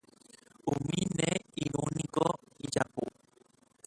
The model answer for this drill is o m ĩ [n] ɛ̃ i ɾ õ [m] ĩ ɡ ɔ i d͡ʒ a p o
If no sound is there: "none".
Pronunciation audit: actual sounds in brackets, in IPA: n, n

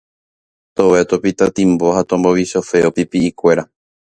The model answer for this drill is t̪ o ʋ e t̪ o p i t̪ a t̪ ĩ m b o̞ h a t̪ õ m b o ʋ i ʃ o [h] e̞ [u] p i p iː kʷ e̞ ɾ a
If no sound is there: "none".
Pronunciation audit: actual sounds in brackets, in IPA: f, o

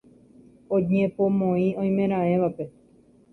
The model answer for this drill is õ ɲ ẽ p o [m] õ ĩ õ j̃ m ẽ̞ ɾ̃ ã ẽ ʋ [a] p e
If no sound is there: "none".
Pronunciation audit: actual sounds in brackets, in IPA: m, a

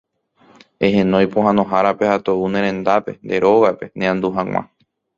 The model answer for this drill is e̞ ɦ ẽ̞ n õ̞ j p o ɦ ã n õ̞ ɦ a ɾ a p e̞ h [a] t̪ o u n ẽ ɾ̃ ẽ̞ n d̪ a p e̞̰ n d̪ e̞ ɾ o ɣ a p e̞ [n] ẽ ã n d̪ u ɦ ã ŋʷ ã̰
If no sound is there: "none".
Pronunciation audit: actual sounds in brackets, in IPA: a, n

